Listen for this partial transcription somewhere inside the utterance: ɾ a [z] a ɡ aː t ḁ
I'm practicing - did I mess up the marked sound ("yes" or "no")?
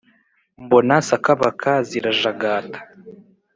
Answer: yes